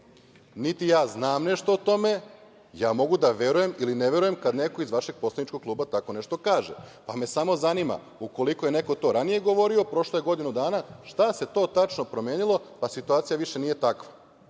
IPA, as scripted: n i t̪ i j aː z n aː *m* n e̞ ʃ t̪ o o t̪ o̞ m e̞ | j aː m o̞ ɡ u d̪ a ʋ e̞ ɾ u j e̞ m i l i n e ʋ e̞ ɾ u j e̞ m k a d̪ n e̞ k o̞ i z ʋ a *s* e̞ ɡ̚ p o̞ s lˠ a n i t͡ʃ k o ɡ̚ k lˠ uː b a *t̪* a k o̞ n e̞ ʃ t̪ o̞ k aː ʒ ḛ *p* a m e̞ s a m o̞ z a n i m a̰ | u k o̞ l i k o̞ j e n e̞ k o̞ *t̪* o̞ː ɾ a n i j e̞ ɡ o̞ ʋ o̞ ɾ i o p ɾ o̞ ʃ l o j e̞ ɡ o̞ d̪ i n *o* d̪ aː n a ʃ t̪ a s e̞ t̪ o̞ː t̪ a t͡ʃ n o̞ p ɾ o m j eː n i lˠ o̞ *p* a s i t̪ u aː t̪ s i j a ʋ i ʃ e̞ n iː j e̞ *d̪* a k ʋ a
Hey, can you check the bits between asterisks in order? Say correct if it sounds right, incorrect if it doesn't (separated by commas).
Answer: correct, incorrect, correct, correct, correct, incorrect, correct, incorrect